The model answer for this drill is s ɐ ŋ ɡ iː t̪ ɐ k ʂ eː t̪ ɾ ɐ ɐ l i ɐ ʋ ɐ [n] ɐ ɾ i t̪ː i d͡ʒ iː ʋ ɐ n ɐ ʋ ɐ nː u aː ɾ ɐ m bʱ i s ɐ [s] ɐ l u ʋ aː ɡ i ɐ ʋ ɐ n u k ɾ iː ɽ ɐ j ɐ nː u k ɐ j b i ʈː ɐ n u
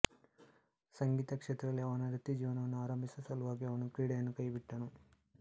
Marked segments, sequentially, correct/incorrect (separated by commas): correct, correct